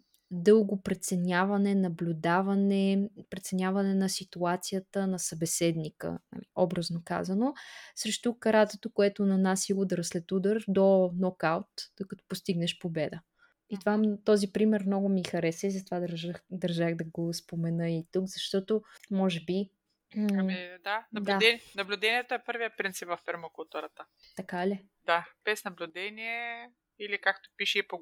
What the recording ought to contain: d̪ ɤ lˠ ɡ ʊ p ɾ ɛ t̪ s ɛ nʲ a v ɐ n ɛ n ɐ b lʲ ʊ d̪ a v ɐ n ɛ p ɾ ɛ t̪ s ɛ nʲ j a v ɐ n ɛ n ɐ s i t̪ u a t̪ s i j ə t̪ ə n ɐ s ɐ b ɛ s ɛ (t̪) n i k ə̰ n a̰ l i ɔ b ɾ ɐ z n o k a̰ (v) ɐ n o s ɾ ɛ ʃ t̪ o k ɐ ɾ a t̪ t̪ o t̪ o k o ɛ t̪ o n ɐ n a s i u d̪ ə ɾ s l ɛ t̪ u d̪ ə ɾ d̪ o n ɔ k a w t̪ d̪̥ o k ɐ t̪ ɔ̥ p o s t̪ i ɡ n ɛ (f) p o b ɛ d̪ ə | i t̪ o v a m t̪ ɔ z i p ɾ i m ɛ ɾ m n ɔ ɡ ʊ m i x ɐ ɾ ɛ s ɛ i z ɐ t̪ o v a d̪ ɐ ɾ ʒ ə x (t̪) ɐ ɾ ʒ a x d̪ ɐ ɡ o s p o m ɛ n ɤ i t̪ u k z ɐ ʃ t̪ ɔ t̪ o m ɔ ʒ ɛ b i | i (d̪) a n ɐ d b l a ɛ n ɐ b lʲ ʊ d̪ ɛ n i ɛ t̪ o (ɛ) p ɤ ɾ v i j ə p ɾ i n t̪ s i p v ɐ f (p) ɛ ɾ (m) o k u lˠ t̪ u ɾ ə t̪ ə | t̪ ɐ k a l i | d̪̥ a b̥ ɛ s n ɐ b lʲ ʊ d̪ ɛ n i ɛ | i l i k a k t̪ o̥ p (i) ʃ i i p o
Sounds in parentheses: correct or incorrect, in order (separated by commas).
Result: incorrect, incorrect, incorrect, incorrect, correct, correct, correct, correct, correct